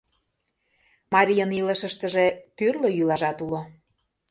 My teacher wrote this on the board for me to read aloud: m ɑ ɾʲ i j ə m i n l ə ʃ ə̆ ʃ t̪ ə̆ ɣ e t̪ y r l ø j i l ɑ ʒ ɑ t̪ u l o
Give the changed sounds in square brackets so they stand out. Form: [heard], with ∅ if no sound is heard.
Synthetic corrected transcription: m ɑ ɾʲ i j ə [n] i [∅] l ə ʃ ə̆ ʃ t̪ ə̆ [ʒ] e t̪ y r l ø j [y] l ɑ ʒ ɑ t̪ u l o